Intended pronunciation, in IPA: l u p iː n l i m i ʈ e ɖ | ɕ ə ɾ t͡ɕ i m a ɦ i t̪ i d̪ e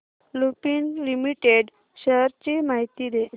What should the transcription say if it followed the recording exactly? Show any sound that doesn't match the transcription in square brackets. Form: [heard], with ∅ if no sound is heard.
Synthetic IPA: l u p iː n l i m i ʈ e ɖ | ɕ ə ɾ t͡ɕ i m a ɦ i t̪ i d̪ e